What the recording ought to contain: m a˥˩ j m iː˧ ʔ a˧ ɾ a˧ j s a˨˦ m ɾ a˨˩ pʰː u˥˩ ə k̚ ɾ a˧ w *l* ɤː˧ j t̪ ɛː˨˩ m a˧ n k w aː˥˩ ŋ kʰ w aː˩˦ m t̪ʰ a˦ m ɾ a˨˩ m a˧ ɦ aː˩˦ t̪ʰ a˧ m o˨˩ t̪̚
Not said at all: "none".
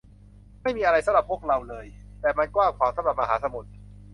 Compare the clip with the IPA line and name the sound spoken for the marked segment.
l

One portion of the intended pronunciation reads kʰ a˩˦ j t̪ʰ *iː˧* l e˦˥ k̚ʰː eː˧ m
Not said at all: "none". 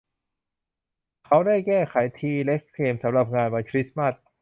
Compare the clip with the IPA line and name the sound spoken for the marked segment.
iː˧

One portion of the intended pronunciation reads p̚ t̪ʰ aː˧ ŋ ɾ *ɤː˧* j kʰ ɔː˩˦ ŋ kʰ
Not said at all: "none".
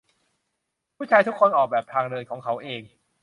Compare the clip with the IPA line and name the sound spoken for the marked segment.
ɤː˧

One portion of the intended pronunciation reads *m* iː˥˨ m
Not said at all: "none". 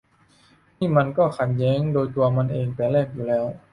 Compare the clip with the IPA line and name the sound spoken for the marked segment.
n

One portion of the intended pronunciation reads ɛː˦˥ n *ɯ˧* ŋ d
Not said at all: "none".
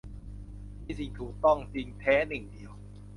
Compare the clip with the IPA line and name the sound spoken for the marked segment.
ɯ˨˩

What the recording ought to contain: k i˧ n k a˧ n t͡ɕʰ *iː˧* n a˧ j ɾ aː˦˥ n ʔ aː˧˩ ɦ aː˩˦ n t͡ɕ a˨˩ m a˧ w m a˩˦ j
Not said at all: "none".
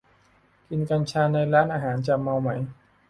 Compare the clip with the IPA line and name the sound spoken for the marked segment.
aː˧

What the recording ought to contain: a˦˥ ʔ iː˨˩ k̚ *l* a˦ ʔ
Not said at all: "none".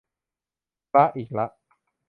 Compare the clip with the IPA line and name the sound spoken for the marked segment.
l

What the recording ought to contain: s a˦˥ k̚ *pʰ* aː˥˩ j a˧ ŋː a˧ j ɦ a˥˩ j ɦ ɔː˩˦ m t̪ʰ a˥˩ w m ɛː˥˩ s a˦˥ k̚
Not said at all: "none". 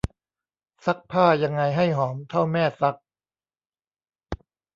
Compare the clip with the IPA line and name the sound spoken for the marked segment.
pʰ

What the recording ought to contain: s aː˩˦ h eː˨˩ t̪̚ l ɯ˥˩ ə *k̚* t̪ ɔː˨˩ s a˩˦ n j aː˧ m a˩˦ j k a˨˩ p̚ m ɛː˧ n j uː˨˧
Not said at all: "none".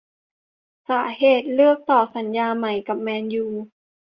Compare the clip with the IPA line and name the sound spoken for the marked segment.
k̚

